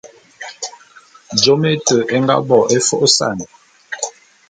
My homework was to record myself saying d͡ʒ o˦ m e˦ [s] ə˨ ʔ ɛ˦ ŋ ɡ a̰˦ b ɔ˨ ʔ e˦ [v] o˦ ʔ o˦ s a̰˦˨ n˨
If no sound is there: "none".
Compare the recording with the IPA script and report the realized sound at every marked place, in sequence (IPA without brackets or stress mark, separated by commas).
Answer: t, f